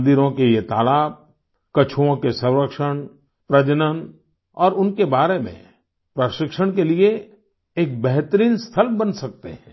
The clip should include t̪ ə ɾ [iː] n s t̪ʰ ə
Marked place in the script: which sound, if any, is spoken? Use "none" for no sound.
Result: iː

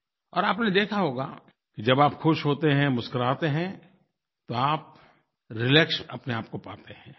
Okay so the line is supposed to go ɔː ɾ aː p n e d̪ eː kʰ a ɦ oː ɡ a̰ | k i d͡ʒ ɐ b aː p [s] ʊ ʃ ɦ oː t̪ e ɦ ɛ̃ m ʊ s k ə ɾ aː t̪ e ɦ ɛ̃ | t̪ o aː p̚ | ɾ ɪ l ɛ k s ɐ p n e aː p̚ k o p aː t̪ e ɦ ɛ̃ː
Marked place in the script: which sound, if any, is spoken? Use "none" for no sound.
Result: x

